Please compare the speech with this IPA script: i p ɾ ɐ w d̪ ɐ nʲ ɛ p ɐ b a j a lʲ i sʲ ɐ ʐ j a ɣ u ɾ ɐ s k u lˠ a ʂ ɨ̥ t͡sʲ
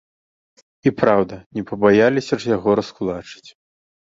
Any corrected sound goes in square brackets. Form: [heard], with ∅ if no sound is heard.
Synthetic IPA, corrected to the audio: i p ɾ [a] w d̪ ɐ nʲ ɛ p ɐ b a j a lʲ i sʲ ɐ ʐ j a ɣ [ɔ] ɾ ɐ s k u lˠ a [t͡ʂ] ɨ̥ t͡sʲ

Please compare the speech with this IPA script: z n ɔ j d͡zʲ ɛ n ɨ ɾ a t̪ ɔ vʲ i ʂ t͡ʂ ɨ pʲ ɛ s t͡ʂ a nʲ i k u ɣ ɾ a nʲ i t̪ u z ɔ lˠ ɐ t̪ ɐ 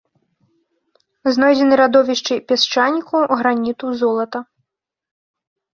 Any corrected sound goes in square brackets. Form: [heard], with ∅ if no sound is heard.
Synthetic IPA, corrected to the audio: z n ɔ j d͡zʲ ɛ n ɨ ɾ a [d̪] ɔ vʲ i ʂ t͡ʂ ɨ pʲ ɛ s t͡ʂ a nʲ i k u ɣ ɾ a nʲ i t̪ u z ɔ lˠ ɐ t̪ ɐ

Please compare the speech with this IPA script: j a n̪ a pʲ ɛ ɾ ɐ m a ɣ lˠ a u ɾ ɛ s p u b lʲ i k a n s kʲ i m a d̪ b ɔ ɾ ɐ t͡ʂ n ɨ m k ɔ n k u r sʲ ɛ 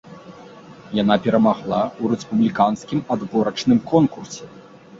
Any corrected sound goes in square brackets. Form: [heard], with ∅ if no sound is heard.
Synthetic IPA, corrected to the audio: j a n̪ a pʲ ɛ ɾ ɐ m a ɣ lˠ a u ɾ ɛ s p u b lʲ i k a n s kʲ i m a d̪ b ɔ ɾ ɐ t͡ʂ n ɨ m k ɔ n k u r sʲ ɛ

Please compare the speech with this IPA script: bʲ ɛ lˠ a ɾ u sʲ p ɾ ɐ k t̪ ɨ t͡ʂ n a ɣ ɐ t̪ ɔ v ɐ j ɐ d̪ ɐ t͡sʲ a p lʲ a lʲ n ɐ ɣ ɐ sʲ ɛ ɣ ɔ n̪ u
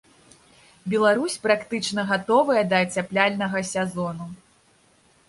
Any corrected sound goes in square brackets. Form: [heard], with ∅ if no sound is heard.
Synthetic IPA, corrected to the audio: bʲ ɛ lˠ a ɾ u sʲ p ɾ [a] k t̪ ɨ t͡ʂ n [ɐ] ɣ [a] t̪ ɔ v ɐ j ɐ d̪ ɐ t͡sʲ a p lʲ a lʲ n ɐ ɣ ɐ sʲ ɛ [z] ɔ n̪ u

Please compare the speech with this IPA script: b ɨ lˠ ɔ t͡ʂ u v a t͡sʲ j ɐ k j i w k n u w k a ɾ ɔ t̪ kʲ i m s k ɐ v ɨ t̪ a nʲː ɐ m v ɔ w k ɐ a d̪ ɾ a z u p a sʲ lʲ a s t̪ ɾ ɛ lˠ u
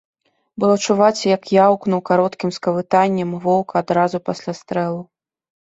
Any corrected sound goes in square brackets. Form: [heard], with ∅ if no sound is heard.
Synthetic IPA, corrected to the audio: b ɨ lˠ ɔ t͡ʂ u v a t͡sʲ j ɐ k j [a] w k n u w k a ɾ ɔ t̪ kʲ i m s k ɐ v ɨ t̪ a nʲː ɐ m v ɔ w k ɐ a d̪ ɾ a z u p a sʲ lʲ a s t̪ ɾ ɛ lˠ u

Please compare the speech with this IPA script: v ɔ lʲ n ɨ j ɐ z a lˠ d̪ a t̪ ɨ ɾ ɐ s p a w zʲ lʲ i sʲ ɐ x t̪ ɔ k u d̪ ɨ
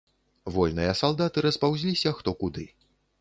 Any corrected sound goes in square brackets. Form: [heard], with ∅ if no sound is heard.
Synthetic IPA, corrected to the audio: v ɔ lʲ n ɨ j ɐ [s] a lˠ d̪ a t̪ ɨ ɾ ɐ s p a w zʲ lʲ i sʲ ɐ x t̪ ɔ k u d̪ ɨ

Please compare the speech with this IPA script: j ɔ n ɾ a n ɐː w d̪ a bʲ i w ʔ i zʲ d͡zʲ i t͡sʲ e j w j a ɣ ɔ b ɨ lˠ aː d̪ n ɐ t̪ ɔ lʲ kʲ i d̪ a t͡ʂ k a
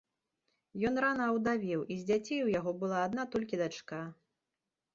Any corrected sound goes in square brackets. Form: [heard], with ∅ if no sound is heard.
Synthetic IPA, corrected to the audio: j ɔ n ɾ a n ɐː w d̪ a [vʲ] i w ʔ i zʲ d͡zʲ [a] t͡sʲ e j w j a ɣ ɔ b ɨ lˠ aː d̪ n [a] t̪ ɔ lʲ kʲ i d̪ a t͡ʂ k a

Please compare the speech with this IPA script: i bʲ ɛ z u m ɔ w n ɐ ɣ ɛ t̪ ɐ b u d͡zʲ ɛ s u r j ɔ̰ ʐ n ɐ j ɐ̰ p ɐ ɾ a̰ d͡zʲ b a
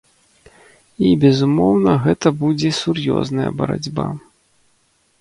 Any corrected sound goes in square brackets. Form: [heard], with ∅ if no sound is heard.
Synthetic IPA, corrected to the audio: i bʲ ɛ z u m ɔ w n ɐ ɣ ɛ t̪ ɐ b u d͡zʲ ɛ s u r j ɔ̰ [z] n ɐ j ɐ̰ [b] ɐ ɾ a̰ d͡zʲ b a

